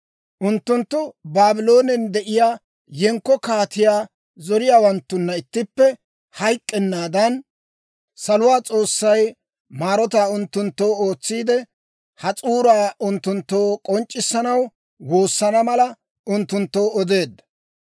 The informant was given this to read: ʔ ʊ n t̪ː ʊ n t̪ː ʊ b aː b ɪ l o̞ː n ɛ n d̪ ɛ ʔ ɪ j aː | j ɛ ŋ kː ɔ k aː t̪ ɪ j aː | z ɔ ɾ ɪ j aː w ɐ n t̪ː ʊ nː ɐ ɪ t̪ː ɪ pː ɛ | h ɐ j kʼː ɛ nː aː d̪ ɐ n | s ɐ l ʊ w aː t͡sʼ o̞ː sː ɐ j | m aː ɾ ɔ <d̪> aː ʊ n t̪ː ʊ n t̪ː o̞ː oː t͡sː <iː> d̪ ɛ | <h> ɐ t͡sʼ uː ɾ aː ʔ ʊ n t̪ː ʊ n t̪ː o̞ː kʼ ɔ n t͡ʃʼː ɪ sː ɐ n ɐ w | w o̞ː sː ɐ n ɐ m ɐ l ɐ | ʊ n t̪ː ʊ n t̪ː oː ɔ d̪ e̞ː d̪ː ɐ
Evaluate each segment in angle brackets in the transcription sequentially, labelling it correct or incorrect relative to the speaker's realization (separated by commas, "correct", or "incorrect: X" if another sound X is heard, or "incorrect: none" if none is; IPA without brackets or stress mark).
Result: incorrect: t̪, correct, correct